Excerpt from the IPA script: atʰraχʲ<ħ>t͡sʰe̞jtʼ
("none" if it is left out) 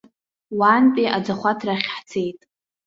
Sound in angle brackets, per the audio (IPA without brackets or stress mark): ħ